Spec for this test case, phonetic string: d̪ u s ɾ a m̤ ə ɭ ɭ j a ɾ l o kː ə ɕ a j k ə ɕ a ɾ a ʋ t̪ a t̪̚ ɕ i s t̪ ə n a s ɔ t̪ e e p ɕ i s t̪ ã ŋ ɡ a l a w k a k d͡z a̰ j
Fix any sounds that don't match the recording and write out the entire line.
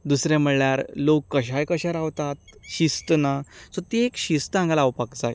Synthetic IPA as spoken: d̪ u s ɾ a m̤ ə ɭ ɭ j a ɾ l o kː ə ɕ a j k ə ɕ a ɾ a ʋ t̪ a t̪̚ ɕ i s t̪ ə n a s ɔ t̪ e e k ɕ i s t̪ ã ŋ ɡ a l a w p a k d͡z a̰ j